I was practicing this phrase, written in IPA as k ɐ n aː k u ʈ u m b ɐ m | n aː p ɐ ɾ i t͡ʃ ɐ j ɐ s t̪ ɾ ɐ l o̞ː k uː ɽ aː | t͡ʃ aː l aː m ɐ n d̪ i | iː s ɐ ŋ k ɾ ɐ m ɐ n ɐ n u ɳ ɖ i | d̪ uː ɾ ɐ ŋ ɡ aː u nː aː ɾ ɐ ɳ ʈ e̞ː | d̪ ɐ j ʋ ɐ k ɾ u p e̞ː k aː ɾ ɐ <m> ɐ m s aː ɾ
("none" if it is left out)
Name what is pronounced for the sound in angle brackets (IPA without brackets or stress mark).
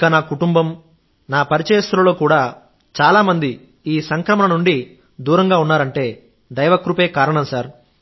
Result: ɳ